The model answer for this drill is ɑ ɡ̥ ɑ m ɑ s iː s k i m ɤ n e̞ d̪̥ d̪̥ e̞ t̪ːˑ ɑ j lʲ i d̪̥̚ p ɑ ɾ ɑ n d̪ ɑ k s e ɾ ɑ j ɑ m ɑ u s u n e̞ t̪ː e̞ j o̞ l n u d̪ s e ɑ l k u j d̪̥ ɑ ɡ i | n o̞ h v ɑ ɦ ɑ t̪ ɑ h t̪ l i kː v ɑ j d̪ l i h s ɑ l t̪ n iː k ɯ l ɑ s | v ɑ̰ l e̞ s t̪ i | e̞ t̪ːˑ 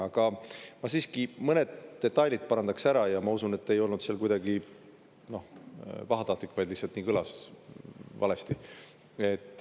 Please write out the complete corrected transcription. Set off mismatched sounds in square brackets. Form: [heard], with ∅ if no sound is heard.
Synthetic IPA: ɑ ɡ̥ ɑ m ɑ s iː s k i m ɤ n e̞ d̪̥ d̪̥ e̞ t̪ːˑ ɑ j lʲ i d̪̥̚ p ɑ ɾ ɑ n d̪ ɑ k s [æ] ɾ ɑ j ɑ m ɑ u s u n e̞ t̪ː e̞ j o̞ l n u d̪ s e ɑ l k u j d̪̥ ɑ ɡ i | n o̞ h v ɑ ɦ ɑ t̪ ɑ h t̪ l i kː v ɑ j d̪ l i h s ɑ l t̪ n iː k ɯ l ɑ s | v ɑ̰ l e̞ s t̪ i | e̞ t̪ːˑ

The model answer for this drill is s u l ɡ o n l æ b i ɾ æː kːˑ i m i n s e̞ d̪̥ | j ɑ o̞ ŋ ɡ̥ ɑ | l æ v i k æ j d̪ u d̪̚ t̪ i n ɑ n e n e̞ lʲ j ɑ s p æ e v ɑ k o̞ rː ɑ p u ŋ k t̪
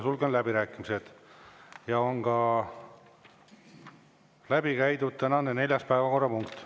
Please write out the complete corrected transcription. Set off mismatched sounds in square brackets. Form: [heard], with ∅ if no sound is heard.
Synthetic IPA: s u l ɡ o n l æ b i ɾ æː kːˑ i m i [∅] s e̞ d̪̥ | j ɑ o̞ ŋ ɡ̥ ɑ | l æ [b] i k æ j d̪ u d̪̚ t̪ [æ] n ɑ n e n e̞ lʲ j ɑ s p æ e v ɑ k o̞ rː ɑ p u ŋ k t̪

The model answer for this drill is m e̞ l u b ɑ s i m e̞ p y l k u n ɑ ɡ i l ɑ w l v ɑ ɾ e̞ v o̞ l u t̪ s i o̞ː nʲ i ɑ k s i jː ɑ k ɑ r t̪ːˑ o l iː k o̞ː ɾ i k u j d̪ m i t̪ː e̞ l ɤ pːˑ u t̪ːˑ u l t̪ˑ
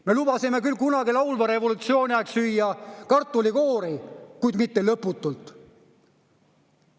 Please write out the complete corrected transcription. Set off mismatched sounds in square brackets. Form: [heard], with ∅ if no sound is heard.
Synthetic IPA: m e̞ l u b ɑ s i m e̞ [k] y l k u n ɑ ɡ i l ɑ w l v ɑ ɾ e̞ v o̞ l u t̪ s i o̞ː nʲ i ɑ k s [y] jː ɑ k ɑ r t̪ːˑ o l [i] k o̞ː ɾ i k u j d̪ m i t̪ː e̞ l ɤ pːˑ u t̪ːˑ u l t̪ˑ

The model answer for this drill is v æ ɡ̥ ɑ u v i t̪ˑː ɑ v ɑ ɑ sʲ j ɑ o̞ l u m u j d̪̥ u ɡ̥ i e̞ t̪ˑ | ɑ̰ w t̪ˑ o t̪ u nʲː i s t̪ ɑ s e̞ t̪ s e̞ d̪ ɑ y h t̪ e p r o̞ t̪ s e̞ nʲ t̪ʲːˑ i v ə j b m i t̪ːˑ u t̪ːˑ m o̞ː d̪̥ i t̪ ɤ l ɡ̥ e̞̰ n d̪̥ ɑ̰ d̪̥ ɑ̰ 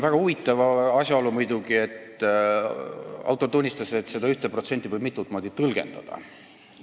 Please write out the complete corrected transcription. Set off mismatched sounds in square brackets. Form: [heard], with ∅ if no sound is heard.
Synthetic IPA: v æ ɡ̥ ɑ u v i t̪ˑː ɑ v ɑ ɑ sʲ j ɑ o̞ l u m u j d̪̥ u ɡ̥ i e̞ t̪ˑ | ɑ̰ w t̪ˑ o t̪ u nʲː i s t̪ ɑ s e̞ t̪ s e̞ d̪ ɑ y h t̪ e p r o̞ t̪ s e̞ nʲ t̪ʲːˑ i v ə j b m i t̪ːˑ u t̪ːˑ m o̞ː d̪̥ i t̪ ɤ l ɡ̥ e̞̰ n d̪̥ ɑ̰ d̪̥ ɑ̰

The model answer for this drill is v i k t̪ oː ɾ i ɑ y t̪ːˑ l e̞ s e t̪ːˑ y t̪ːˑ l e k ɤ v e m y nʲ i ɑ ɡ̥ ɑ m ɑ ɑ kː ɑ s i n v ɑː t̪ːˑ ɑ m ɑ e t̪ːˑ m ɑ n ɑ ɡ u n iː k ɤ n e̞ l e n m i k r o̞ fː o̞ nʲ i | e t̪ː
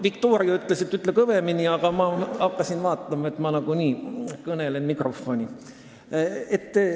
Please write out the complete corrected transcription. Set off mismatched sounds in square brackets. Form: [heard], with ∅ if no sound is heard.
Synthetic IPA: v i k t̪ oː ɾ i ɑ y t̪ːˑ l e̞ s e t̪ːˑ y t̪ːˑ l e k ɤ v e m [i] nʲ i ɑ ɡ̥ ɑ m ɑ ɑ kː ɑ s i n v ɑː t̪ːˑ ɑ m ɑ e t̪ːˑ m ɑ n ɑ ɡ u n iː k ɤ n e̞ l e n m i k r o̞ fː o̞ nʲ i | e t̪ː

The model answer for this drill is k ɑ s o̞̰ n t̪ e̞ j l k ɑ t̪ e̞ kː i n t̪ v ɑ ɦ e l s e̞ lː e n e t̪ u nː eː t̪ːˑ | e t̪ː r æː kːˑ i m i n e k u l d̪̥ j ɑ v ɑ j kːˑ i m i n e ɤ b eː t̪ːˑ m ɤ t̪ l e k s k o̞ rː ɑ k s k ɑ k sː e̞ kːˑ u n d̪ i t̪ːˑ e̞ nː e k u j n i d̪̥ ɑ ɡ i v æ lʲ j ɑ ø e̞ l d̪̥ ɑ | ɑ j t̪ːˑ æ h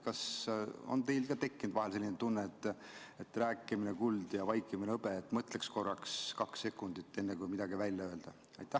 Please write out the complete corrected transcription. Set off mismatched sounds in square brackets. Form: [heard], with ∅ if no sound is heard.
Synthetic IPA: k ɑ s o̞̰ n t̪ e̞ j l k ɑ t̪ e̞ kː i n [d̪] v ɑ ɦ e l s e̞ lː [i] n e t̪ u nː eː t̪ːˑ | e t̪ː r æː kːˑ i m i n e k u l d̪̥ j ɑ v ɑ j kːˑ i m i n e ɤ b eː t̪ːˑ m ɤ t̪ l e k s k o̞ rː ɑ k s k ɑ k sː e̞ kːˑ u n d̪ i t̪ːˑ e̞ nː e k u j [m] i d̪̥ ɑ ɡ i v æ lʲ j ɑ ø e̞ l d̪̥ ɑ | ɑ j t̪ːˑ æ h

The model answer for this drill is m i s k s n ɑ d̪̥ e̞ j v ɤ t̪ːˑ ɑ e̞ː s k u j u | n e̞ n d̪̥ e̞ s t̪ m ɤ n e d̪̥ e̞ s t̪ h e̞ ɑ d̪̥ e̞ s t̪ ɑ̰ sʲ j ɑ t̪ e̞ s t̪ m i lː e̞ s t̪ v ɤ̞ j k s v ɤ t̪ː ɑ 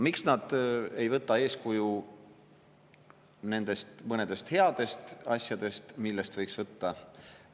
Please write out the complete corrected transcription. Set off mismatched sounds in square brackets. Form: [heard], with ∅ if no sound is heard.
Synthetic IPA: m i [∅] k s n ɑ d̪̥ e̞ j v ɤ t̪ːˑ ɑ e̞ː s k u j u | n e̞ n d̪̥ e̞ s t̪ m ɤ n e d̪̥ e̞ s t̪ h e̞ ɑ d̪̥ e̞ s t̪ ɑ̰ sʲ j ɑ [d̪] e̞ s t̪ m i lː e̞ s t̪ v ɤ̞ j k s v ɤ t̪ː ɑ

